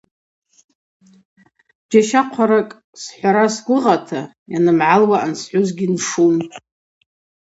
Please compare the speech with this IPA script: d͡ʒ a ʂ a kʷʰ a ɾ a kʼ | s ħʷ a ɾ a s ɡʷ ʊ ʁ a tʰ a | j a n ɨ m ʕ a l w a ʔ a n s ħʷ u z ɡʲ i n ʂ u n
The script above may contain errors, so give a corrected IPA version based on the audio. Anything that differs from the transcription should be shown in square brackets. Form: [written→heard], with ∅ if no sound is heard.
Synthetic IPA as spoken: d͡ʒ a [ʂ→ʃ] a [kʷʰ→qʷʰ] a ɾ a kʼ | s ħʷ a ɾ a s ɡʷ ʊ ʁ a tʰ a | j a n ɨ m ʕ a l w a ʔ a n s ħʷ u z ɡʲ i n ʂ u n